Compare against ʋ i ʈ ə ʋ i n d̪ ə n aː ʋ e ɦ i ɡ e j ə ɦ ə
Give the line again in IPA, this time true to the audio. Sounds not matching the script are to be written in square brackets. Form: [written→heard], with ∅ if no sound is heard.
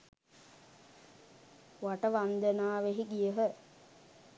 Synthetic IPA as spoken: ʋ [i→a] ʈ ə ʋ [i→a] n d̪ ə n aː ʋ e ɦ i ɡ [e→i] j ə ɦ ə